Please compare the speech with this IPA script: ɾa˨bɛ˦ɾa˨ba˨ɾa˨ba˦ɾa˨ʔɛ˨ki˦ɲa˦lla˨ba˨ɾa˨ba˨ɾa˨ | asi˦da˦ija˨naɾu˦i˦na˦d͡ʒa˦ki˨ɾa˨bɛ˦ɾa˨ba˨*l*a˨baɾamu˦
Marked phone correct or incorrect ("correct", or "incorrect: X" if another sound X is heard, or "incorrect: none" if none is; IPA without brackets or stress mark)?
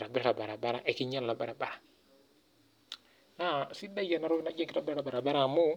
incorrect: ɾ